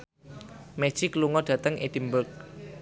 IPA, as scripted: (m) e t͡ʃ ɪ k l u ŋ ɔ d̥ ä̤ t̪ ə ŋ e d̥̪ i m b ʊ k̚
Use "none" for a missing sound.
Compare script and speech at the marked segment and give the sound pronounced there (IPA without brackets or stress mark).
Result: m